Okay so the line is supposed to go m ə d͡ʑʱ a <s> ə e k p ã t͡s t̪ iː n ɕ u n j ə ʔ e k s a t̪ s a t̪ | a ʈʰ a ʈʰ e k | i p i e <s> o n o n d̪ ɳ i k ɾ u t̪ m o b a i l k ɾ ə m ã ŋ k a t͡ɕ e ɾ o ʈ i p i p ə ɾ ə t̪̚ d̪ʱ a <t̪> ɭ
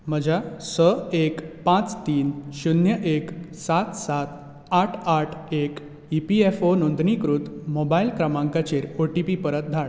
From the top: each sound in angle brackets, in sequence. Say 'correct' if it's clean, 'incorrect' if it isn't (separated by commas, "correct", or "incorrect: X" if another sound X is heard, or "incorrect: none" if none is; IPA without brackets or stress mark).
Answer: correct, incorrect: f, incorrect: none